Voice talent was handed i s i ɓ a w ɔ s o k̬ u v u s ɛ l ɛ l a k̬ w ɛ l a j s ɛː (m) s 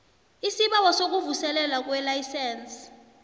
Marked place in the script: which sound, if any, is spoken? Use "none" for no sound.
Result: n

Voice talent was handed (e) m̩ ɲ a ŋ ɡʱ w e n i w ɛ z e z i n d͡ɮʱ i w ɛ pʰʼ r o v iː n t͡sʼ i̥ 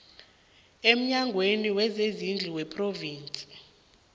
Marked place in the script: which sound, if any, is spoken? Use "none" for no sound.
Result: e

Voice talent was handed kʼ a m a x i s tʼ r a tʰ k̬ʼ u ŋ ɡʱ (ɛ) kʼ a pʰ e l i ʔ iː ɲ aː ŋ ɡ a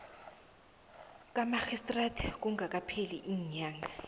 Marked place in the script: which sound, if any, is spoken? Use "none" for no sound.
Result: a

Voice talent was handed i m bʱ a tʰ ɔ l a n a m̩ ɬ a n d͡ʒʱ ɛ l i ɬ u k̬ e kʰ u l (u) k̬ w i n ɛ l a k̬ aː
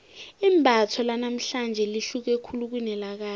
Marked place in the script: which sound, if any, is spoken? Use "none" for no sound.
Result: u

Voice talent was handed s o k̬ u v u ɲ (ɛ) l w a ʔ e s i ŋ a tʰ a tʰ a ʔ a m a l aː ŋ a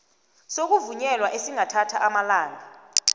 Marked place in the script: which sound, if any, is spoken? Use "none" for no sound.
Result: ɛ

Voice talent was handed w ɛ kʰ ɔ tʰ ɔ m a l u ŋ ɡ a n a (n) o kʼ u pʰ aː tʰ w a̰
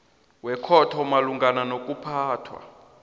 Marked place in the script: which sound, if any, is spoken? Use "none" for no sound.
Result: n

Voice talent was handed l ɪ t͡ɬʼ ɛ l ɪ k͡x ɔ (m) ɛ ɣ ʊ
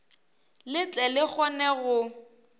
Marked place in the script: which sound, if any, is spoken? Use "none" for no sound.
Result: n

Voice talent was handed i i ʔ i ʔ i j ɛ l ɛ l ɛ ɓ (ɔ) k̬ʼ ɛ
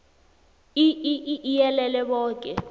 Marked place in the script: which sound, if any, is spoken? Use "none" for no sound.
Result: ɔː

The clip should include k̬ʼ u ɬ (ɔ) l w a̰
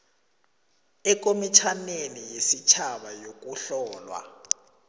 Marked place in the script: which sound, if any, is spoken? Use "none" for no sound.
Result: ɔː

